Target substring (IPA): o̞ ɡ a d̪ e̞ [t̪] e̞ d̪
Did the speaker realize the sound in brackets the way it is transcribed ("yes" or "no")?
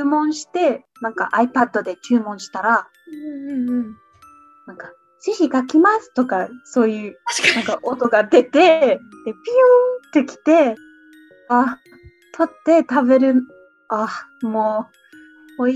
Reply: yes